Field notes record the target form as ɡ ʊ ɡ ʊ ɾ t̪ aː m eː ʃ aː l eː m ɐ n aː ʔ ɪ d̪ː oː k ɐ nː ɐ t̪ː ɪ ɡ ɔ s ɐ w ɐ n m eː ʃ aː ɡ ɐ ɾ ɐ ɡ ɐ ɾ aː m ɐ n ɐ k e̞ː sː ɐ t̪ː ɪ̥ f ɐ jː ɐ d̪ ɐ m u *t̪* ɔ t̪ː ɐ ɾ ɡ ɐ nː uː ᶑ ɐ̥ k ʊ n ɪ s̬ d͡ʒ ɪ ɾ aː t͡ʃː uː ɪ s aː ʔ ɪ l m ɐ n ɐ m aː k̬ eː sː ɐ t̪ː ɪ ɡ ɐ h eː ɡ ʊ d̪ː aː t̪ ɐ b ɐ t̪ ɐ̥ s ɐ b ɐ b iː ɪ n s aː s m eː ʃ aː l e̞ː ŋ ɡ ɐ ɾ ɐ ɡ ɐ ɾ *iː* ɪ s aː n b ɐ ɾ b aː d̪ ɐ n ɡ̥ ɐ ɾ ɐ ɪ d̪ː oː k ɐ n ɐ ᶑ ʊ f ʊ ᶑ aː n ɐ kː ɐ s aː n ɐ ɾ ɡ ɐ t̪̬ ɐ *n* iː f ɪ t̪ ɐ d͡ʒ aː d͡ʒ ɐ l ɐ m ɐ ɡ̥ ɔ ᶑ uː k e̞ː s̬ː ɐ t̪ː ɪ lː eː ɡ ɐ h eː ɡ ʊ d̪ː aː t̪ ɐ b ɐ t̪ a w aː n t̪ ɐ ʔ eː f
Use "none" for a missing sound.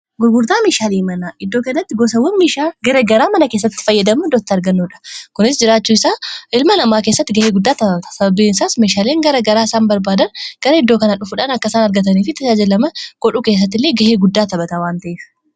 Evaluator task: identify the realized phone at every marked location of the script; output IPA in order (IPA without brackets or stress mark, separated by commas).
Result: d̪, aː, n